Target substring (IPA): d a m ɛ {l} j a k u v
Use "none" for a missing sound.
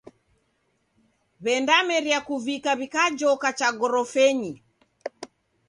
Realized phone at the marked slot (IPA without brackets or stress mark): ɾ